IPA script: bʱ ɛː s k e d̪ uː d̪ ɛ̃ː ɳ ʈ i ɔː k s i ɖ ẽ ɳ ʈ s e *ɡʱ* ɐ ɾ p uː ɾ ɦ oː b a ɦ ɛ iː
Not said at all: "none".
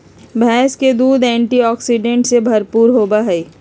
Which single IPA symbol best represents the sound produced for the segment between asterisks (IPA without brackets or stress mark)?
bʱ